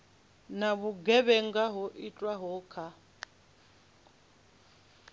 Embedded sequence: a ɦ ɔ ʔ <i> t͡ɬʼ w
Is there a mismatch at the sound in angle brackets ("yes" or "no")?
no